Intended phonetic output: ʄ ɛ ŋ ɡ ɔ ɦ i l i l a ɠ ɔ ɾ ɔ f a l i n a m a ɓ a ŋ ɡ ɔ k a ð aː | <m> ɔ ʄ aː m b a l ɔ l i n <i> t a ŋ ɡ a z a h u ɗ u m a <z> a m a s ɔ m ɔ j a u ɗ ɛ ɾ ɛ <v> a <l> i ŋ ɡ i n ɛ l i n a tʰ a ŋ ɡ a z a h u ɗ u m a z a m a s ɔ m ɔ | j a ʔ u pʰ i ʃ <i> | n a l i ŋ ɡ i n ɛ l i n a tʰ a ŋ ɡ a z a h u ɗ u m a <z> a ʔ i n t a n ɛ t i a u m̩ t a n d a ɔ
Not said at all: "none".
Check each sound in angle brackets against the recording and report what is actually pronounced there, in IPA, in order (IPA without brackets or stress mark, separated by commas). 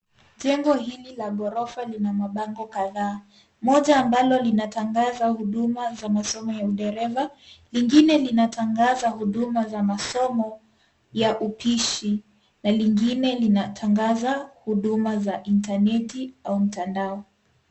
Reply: m, a, z, v, l, i, z